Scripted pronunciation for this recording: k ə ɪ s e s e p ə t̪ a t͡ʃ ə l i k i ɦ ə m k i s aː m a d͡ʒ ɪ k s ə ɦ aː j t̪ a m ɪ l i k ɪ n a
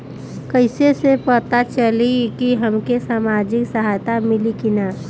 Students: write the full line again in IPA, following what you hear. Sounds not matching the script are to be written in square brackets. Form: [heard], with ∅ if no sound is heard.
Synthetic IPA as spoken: k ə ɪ s e s e p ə t̪ a t͡ʃ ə l i k i ɦ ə m k [e] s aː m a d͡ʒ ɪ k s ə ɦ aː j t̪ a m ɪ l i k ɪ n a